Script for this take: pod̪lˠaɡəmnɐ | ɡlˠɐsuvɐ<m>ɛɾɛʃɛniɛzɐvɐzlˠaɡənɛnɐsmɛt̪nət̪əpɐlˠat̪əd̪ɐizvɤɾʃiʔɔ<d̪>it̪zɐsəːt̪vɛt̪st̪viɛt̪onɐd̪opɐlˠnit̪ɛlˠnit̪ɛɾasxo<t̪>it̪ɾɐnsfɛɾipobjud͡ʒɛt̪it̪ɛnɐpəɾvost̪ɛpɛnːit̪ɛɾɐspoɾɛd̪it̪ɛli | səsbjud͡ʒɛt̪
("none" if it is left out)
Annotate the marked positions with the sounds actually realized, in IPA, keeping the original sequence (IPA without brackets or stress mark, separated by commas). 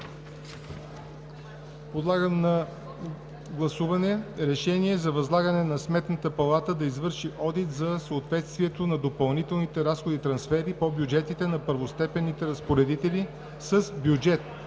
n, d̪, d̪